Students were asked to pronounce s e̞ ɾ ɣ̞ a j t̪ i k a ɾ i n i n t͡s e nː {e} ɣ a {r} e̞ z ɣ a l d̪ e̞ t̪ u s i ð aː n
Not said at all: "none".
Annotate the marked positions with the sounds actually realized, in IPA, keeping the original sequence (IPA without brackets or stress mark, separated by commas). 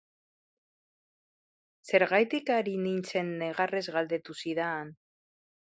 e, r